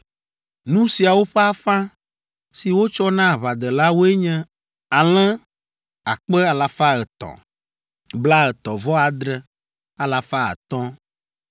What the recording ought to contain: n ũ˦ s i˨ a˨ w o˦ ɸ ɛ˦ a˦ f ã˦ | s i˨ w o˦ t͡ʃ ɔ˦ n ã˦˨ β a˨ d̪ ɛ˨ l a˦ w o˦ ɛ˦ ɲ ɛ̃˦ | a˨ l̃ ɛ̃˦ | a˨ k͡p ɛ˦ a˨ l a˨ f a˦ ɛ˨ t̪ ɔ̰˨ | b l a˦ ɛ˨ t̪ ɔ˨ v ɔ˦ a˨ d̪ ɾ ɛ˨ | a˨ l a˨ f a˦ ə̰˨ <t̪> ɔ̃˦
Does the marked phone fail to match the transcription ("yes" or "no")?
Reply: no